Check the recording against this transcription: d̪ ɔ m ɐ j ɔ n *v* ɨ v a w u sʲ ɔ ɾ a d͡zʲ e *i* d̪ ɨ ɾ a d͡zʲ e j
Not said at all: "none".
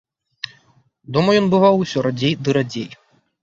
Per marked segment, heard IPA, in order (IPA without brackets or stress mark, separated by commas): b, j